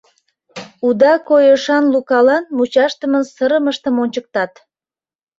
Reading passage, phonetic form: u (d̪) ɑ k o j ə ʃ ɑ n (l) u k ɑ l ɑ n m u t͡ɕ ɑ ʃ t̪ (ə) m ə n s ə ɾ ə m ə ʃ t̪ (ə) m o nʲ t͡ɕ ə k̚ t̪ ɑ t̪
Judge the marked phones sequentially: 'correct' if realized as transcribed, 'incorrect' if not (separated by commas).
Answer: correct, correct, correct, correct